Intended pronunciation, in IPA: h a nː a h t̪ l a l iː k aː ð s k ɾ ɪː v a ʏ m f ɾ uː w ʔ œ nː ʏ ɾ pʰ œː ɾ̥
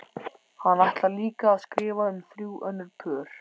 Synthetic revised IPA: h a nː a h t̪ l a l iː k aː ð s k ɾ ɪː v a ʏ m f ɾ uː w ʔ œ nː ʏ ɾ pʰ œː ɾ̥